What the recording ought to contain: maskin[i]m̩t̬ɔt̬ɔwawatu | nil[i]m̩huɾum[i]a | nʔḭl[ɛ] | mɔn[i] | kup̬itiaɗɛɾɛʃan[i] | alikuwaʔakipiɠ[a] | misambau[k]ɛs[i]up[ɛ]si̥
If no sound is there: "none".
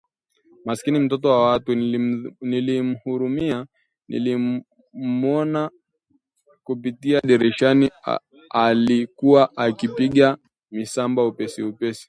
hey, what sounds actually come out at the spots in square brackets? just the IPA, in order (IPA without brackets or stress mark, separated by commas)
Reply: i, i, i, i, a, i, a, p, i, ɛ